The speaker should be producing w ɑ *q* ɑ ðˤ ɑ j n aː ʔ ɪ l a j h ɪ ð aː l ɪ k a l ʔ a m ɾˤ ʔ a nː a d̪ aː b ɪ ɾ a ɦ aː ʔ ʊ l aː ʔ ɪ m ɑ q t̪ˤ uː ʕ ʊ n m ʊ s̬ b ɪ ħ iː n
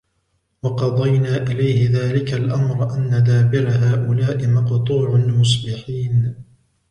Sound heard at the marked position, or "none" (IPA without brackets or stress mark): q